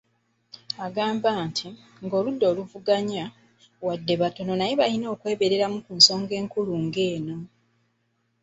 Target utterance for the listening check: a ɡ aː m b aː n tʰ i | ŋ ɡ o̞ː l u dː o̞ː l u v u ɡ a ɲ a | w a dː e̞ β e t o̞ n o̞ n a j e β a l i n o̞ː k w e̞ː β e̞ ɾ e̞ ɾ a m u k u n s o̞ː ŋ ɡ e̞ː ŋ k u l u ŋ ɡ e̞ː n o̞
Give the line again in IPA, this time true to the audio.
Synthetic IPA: a ɡ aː m b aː n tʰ i | ŋ ɡ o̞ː l u dː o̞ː l u v u ɡ a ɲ a | w a dː e̞ β a t o̞ n o̞ n a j e β a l i n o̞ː k w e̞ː β e̞ ɾ e̞ ɾ a m u k u n s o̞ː ŋ ɡ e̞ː ŋ k u l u ŋ ɡ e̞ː n o̞